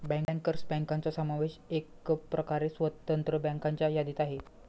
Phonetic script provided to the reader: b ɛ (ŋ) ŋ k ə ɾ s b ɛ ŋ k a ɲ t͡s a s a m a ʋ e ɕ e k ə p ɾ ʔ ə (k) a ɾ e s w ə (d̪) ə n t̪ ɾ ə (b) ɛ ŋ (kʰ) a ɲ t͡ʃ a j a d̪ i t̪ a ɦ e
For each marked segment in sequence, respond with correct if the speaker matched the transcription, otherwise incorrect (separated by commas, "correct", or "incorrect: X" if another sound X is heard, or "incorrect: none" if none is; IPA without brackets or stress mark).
correct, correct, incorrect: t̪, correct, incorrect: k